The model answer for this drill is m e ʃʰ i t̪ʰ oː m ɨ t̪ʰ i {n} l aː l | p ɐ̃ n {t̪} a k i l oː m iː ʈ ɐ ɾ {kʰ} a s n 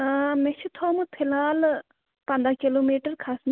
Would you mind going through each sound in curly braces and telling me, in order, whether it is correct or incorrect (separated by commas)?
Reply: incorrect, incorrect, correct